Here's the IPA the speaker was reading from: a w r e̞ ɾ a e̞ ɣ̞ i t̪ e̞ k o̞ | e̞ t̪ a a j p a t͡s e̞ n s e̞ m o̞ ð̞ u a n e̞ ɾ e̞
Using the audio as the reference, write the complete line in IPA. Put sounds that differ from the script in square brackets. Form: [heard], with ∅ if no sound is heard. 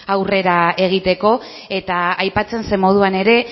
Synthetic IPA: a w r e̞ ɾ a e̞ ɣ̞ i t̪ e̞ k o̞ | e̞ t̪ a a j p a t͡s e̞ n s e̞ m o̞ ð̞ u a n e̞ ɾ e̞